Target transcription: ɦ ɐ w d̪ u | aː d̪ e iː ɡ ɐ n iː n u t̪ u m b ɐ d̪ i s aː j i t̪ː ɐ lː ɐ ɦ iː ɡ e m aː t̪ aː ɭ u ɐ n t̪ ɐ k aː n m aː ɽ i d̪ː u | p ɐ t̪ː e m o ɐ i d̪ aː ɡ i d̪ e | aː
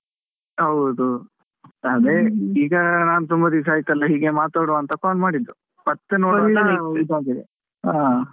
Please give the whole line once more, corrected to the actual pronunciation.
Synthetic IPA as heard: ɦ ɐ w d̪ u | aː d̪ e iː ɡ ɐ n aː n u t̪ u m b ɐ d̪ i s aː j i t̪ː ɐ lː ɐ ɦ iː ɡ e m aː t̪ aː ɽ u ɐ n t̪ ɐ k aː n m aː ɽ i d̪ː u | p ɐ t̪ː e n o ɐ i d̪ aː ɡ i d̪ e | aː